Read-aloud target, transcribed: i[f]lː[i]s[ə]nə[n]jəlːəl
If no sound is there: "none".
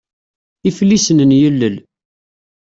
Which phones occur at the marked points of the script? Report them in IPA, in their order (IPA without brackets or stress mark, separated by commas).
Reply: f, i, ə, n